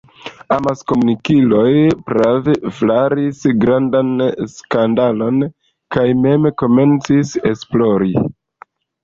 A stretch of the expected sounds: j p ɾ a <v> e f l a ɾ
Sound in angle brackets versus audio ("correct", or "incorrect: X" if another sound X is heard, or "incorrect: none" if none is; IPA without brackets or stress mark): correct